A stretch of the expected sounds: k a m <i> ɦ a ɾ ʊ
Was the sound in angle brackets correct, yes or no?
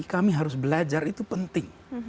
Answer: yes